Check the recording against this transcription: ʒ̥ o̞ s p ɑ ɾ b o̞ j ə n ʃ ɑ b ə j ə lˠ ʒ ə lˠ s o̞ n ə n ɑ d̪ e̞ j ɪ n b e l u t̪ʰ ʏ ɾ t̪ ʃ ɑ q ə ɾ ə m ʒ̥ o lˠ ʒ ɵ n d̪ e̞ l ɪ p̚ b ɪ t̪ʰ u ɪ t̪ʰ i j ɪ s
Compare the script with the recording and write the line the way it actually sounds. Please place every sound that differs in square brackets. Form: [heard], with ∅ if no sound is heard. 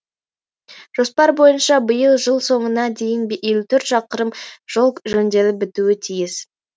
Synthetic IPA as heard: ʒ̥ o̞ s p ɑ ɾ b o̞ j ə n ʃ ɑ b ə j ə lˠ ʒ ə lˠ s o̞ [ɴ] ə n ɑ d̪ e̞ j ɪ n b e l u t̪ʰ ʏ ɾ t̪ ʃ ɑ q ə ɾ ə m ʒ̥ o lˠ ʒ ɵ n d̪ e̞ l ɪ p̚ b ɪ [t̪] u ɪ t̪ʰ i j ɪ s

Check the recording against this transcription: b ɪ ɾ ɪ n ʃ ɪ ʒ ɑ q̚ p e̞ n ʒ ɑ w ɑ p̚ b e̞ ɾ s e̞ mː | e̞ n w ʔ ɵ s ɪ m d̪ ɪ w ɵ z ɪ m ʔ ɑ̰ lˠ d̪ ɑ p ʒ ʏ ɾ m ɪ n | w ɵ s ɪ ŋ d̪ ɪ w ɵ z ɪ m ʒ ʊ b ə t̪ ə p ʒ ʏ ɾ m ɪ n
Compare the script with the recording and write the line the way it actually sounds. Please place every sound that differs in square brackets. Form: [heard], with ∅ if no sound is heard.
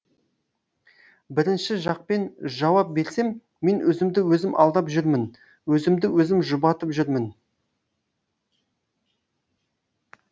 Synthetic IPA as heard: b ɪ ɾ ɪ n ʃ ɪ ʒ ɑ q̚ p e̞ n ʒ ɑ w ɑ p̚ b e̞ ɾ s e̞ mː | e̞ n w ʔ ɵ [z] ɪ m d̪ ɪ w ɵ z ɪ m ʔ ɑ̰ lˠ d̪ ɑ p ʒ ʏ ɾ m ɪ n | w ɵ [z] ɪ [m] d̪ ɪ w ɵ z ɪ m ʒ ʊ b [ɑ] t̪ ə p ʒ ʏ ɾ m ɪ n

